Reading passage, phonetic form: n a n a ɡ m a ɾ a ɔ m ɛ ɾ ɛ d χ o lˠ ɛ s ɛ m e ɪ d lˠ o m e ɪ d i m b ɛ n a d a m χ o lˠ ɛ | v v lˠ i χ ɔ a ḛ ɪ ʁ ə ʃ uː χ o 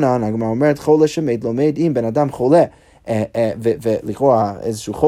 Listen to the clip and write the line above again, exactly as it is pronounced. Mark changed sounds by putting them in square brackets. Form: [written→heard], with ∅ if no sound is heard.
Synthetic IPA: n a n a ɡ m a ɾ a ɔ m ɛ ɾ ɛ [d→t] χ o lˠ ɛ [s→ʃ] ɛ m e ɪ d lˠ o m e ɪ d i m b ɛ n a d a m χ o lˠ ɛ | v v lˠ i χ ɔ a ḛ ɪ [ʁ→z] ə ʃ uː χ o